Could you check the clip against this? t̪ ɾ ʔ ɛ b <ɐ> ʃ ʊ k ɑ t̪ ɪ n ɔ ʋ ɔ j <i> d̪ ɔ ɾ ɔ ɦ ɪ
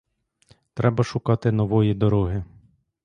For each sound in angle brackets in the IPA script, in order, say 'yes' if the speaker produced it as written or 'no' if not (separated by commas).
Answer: yes, yes